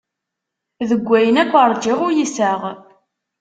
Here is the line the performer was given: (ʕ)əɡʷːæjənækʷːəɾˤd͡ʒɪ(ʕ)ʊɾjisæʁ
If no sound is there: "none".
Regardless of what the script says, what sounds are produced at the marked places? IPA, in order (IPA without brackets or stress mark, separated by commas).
ð, ʁ